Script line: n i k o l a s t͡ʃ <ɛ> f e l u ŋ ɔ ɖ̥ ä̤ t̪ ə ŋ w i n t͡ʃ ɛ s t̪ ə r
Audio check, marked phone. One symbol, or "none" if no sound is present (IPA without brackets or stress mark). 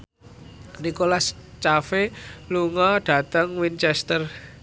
a